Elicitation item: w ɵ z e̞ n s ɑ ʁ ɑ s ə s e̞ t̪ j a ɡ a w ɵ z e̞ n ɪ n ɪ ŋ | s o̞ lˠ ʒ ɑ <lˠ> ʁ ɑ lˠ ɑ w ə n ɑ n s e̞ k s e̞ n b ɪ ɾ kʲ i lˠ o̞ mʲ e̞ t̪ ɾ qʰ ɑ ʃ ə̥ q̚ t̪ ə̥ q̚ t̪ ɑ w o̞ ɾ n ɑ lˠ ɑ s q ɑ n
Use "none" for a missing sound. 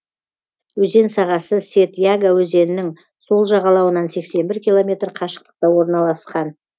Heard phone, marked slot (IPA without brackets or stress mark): none